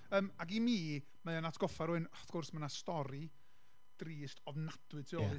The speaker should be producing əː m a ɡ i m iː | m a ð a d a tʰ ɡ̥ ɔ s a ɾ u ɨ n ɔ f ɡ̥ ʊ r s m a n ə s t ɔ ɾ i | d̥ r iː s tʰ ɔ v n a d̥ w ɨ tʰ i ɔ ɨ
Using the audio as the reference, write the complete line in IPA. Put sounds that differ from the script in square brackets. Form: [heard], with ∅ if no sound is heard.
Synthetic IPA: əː m a ɡ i m iː | m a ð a [n] a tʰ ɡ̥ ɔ [f] a ɾ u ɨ n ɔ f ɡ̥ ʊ r s m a n [a] s t ɔ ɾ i | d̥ r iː s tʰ ɔ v n a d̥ w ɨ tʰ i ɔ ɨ